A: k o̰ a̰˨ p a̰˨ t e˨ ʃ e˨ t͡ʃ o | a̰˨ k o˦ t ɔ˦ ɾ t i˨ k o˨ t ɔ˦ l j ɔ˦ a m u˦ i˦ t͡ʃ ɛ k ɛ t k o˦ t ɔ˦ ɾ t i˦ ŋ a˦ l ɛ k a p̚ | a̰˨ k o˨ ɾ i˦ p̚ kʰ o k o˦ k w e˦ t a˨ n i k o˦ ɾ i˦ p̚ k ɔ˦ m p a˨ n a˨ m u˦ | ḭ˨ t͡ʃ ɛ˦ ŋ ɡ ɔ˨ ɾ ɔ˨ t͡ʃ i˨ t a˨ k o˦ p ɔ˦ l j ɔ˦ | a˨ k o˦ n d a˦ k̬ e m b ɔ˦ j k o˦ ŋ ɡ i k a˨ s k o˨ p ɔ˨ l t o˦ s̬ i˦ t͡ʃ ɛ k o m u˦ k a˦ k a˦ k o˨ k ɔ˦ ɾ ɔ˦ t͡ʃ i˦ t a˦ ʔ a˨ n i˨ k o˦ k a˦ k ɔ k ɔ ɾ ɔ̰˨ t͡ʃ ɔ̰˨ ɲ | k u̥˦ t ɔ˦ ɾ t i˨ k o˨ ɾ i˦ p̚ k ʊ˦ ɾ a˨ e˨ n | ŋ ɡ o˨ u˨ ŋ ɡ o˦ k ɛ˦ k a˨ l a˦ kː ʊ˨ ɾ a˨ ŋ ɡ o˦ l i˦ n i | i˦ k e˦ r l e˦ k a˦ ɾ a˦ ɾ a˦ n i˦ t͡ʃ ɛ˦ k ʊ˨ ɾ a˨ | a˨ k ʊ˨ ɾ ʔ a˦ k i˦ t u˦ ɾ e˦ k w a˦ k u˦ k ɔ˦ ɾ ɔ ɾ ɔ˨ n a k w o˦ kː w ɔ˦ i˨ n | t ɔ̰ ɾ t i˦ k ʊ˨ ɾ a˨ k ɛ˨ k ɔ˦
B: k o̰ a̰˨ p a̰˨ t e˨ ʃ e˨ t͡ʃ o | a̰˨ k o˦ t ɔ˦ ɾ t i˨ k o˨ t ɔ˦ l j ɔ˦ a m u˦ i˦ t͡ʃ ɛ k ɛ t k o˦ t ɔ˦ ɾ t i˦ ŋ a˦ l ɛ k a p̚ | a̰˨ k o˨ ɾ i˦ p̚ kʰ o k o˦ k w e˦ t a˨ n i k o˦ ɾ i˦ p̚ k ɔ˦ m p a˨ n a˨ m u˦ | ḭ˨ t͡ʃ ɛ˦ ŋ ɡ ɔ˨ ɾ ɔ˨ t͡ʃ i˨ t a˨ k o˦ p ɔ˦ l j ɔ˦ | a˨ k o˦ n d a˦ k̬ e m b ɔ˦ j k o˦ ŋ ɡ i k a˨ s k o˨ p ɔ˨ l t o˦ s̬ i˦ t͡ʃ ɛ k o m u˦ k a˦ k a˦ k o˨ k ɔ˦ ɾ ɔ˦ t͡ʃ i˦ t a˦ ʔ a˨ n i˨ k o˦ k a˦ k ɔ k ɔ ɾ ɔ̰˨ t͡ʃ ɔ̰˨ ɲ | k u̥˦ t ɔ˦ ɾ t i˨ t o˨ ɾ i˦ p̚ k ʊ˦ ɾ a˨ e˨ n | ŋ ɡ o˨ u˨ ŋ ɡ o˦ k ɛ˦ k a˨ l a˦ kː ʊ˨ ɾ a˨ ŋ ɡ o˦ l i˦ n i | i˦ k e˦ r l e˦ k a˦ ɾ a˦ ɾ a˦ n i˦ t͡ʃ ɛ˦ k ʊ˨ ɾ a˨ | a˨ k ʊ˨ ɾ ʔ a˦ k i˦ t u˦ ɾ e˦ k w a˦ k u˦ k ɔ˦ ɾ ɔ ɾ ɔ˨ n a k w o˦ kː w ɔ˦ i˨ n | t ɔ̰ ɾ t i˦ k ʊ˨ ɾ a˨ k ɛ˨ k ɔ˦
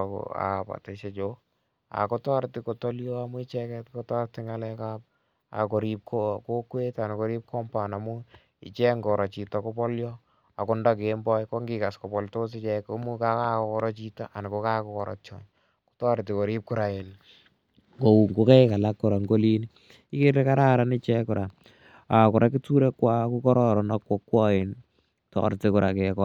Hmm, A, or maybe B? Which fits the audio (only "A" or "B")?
A